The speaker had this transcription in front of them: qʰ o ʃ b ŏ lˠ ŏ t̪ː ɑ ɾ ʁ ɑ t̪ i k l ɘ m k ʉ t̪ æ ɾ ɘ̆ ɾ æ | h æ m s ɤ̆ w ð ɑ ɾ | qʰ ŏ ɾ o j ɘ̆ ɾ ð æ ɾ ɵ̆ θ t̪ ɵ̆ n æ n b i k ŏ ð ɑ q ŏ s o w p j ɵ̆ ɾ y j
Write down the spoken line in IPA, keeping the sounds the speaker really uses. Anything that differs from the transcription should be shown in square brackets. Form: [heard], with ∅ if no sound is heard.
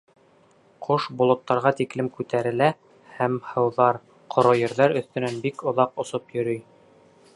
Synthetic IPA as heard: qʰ o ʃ b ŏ lˠ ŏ t̪ː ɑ ɾ ʁ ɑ t̪ i k l ɘ m k ʉ t̪ æ ɾ ɘ̆ [l] æ | h æ m [h] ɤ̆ w ð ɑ ɾ | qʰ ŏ ɾ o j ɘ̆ ɾ ð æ ɾ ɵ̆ θ t̪ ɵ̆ n æ n b i k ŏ ð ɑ q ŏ s o [∅] p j ɵ̆ ɾ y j